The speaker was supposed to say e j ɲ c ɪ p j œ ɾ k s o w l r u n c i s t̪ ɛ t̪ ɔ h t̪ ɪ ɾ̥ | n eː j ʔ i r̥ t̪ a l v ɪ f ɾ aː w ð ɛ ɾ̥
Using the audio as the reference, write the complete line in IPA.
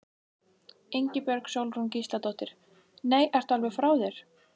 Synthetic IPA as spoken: e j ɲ c ɪ p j œ ɾ k s o w l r u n c i s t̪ a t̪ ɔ h t̪ ɪ ɾ̥ | n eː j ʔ ɛ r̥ t̪ a l v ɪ f ɾ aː w ð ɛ ɾ̥